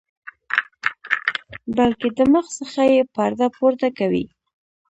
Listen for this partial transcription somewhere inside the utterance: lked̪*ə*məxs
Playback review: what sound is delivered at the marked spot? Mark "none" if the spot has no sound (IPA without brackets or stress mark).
ə